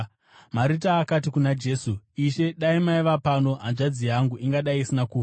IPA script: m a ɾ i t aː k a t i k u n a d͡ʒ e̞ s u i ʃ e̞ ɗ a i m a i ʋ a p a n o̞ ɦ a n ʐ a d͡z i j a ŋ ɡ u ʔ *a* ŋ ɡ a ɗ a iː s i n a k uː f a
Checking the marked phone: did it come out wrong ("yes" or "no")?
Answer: yes